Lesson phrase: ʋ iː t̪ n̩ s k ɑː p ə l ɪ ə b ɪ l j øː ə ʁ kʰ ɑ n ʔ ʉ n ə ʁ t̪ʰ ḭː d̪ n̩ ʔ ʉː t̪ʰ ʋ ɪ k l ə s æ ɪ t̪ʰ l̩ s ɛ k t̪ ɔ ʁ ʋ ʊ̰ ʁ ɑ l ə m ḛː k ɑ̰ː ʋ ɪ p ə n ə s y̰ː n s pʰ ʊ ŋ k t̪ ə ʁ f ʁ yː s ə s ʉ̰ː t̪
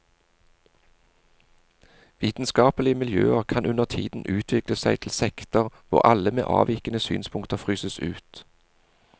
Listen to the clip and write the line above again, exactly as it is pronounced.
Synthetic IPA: ʋ iː t̪ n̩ s k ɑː p ə l ɪ ə m ɪ l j øː ə ʁ kʰ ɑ n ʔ ʉ n ə ʁ t̪ʰ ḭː d̪ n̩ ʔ ʉː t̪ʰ ʋ ɪ k l ə s æ ɪ t̪ʰ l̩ s ɛ k t̪ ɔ ʁ ʋ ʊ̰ ʁ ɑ l ə m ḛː ʔ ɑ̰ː ʋ ɪ k ə n ə s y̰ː n s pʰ ʊ ŋ k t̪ ə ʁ f ʁ yː s ə s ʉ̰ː t̪